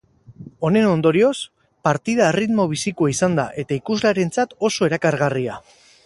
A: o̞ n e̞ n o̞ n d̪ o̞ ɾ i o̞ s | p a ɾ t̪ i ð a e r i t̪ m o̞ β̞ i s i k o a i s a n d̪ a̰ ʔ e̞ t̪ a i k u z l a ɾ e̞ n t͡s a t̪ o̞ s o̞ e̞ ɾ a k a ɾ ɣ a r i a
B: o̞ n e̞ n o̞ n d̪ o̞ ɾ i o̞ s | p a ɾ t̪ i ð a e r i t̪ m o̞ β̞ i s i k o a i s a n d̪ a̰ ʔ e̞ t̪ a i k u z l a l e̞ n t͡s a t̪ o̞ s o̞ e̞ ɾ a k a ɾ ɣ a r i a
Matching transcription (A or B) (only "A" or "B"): A